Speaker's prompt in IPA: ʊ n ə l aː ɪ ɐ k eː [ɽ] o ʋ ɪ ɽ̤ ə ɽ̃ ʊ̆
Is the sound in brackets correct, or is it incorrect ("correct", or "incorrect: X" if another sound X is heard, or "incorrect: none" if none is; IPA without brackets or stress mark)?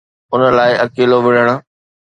incorrect: l